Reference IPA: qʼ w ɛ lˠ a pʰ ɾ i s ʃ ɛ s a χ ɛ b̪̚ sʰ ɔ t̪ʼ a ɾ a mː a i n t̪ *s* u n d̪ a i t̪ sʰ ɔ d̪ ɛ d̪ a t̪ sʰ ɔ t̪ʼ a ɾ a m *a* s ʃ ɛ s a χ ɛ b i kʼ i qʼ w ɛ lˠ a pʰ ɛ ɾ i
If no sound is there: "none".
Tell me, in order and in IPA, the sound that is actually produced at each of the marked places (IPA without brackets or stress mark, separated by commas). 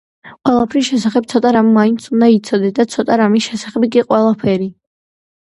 s, i